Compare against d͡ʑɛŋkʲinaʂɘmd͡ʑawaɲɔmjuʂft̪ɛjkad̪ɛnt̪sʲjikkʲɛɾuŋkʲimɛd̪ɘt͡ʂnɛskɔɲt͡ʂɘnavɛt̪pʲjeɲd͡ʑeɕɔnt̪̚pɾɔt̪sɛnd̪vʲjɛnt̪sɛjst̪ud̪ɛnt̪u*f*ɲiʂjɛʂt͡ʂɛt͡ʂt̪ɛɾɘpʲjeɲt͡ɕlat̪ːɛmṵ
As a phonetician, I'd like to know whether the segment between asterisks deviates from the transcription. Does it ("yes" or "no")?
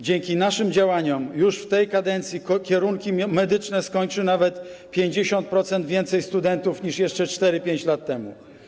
no